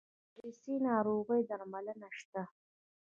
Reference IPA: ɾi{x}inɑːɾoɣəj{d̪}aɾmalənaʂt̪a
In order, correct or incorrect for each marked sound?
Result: incorrect: s, correct

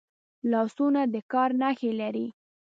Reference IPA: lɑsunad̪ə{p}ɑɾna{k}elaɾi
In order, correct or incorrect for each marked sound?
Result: incorrect: k, incorrect: x

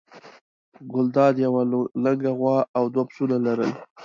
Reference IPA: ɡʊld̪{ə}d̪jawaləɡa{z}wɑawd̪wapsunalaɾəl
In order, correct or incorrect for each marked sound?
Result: incorrect: ɑ, incorrect: ɣ

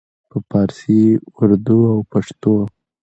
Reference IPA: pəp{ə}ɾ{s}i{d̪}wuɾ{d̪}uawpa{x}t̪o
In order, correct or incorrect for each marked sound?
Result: incorrect: ɑ, correct, incorrect: none, correct, incorrect: ʂ

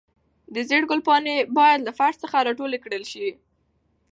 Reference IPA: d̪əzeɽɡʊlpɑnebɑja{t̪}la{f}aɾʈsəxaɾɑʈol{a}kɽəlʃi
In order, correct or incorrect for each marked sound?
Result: incorrect: d̪, correct, incorrect: e

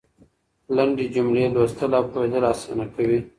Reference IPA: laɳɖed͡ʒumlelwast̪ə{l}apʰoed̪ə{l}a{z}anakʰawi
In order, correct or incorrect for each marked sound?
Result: correct, correct, incorrect: s

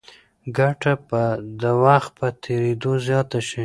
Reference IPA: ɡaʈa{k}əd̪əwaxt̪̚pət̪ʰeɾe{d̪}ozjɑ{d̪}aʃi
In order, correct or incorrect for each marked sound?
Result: incorrect: p, correct, incorrect: t̪

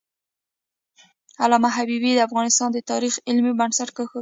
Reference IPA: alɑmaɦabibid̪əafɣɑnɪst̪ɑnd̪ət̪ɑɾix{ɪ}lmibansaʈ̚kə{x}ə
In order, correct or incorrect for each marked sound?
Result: correct, correct

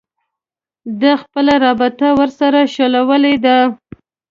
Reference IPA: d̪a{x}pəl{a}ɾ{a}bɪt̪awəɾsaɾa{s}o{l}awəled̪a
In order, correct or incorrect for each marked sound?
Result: correct, correct, incorrect: ɑ, incorrect: ʃ, correct

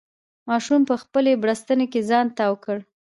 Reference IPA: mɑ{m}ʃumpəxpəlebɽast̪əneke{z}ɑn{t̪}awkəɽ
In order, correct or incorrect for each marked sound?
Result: incorrect: none, correct, correct

